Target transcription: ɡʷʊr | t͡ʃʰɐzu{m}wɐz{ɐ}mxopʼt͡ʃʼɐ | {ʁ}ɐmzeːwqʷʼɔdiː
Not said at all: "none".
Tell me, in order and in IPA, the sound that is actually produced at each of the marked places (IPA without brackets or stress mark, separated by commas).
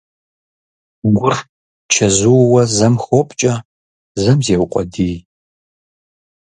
none, ɐ, z